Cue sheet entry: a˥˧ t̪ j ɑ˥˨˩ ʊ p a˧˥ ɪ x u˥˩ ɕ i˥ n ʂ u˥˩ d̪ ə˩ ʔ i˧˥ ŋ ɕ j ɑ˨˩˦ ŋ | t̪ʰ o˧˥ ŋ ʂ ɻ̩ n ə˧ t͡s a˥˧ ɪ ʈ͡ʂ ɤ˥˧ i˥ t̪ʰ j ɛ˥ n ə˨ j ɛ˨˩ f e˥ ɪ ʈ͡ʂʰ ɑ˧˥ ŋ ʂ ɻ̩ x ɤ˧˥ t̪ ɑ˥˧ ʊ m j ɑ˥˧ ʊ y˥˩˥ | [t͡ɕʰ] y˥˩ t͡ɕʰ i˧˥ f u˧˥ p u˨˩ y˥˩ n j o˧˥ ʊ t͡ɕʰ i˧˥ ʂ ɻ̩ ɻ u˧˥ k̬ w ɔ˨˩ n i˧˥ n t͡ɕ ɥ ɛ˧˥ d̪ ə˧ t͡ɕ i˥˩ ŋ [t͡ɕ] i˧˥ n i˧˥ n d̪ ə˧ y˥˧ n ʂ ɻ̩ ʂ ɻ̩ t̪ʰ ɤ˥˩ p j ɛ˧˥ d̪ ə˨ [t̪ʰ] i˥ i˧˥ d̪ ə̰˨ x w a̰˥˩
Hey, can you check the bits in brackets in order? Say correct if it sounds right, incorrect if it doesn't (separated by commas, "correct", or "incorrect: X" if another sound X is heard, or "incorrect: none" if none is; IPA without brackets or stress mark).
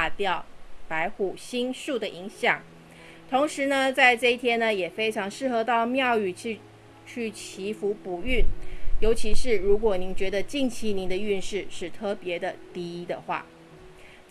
correct, incorrect: t͡ɕʰ, incorrect: t̪